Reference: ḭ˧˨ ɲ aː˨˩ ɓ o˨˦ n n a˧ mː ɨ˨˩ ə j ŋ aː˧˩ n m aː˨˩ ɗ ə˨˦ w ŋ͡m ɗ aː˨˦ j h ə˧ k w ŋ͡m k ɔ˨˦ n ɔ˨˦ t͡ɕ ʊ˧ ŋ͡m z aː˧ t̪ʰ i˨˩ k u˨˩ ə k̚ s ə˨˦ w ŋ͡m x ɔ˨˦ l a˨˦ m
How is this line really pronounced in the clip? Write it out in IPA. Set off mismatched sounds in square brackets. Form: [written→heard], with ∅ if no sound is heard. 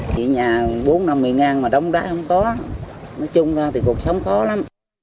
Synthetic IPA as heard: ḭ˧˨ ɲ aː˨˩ ɓ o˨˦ n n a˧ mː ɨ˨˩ ə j ŋ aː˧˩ n m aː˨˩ ɗ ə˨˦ w ŋ͡m ɗ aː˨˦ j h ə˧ [k→∅] w ŋ͡m k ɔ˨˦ n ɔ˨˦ t͡ɕ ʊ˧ ŋ͡m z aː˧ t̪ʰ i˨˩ k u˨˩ ə k̚ s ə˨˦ w ŋ͡m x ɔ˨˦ l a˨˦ m